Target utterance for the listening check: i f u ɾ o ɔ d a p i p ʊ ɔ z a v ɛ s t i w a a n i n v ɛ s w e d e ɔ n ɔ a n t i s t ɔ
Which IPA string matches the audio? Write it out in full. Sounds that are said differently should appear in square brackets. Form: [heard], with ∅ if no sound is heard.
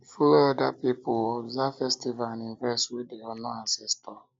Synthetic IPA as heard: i f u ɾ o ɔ d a p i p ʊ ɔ z a [f] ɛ s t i [v] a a n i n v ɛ s w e d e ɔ n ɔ a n [s] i s t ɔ